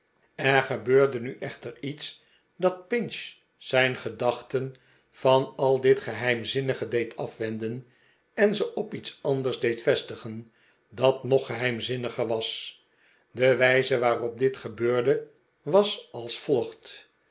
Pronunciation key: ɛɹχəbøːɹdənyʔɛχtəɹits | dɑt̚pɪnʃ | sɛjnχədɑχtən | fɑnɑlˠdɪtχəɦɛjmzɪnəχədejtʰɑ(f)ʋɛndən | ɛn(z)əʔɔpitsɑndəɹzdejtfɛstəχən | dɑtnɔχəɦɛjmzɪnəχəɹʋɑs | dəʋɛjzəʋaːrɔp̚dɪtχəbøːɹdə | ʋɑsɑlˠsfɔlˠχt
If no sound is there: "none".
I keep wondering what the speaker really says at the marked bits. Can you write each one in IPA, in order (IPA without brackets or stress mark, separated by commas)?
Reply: f, z